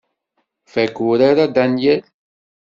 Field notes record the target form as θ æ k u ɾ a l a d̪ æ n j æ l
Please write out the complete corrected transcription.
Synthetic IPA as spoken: f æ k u ɾ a ɾ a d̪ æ n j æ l

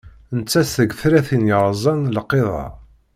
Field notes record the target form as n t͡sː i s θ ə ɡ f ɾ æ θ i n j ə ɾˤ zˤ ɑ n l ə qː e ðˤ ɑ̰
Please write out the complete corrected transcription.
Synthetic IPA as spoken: n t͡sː æ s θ ə ɡ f ɾ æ θ i n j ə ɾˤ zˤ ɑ n l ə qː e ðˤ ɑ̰

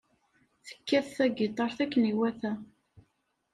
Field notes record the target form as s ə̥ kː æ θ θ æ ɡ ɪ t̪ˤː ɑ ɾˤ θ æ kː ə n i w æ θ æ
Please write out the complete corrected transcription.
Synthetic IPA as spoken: θ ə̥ kː æ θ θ æ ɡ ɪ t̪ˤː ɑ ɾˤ θ æ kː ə n i w æ θ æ

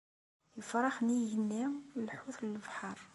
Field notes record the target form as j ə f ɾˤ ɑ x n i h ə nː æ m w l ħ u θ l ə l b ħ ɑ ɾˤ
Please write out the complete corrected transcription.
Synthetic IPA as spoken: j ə f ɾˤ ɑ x n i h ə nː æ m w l ħ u θ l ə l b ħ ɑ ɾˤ

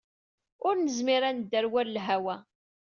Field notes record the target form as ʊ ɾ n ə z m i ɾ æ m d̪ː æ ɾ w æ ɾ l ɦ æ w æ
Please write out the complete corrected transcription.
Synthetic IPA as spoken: ʊ ɾ n ə z m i ɾ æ n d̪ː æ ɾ w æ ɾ l ɦ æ w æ

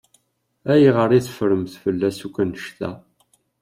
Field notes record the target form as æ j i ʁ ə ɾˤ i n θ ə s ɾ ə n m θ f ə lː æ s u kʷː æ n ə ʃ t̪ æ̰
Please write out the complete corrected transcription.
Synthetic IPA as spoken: æ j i ʁ ə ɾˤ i θ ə f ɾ ə m θ f ə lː æ s u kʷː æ n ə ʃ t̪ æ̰

